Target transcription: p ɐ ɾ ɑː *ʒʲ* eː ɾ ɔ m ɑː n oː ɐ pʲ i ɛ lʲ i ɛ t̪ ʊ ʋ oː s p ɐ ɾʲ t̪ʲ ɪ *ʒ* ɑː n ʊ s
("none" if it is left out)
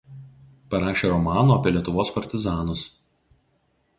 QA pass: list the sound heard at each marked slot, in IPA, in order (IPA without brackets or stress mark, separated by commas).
ʃʲ, z